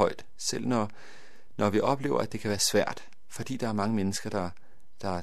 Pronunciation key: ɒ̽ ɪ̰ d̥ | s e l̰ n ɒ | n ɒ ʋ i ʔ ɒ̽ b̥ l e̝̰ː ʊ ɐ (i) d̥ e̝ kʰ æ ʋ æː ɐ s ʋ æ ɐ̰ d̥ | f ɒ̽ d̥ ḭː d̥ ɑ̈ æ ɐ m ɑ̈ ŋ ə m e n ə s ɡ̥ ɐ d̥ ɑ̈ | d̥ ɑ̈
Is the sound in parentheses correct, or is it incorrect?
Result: incorrect